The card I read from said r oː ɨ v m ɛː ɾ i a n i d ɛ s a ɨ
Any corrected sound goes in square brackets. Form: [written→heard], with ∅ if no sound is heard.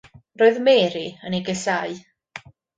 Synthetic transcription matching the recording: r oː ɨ [v→ð] m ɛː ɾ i [a→ə] n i [d→ɡ] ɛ s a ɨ